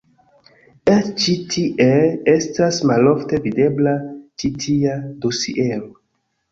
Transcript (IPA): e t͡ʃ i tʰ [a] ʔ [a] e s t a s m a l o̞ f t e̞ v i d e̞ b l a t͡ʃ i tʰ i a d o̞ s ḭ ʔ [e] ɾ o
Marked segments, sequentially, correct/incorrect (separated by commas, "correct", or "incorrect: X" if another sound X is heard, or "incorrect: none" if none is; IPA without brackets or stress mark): incorrect: i, incorrect: e, correct